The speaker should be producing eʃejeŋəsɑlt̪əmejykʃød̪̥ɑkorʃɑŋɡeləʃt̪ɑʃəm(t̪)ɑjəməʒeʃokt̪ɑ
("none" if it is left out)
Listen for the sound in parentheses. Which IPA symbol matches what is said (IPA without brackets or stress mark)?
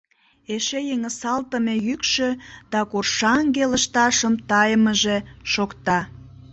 t̪